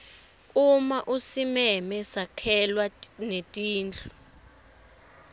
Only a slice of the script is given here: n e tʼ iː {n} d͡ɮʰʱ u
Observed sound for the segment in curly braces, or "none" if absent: n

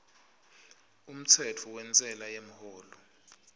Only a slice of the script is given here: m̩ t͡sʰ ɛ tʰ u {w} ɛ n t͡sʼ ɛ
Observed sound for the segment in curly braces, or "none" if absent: w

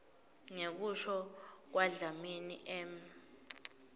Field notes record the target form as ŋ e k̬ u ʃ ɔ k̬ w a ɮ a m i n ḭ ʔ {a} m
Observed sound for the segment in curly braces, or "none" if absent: ɛ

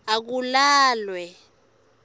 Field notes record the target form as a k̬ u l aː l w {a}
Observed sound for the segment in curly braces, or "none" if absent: ɛ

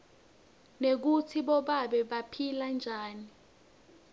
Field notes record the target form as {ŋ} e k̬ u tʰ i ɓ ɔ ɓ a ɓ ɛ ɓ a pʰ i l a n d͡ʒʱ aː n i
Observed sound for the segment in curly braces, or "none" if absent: n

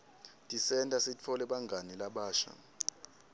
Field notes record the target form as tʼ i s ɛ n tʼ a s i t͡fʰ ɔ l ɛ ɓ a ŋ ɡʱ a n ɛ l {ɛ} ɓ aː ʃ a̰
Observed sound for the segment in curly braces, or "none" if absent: a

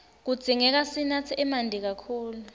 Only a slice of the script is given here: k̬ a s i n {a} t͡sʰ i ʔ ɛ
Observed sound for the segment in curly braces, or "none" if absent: a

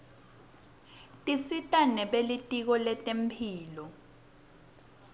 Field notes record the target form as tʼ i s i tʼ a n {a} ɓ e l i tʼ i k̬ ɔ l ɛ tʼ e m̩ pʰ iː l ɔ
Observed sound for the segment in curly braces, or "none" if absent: ɛ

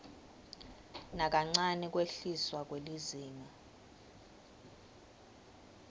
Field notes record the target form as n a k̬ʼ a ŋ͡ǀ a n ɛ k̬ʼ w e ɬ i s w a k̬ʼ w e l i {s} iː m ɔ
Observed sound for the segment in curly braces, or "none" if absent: z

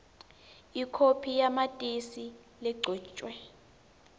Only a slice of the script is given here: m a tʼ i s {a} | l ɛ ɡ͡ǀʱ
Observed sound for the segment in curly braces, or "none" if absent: i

